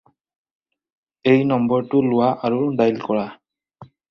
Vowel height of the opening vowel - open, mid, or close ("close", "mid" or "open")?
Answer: mid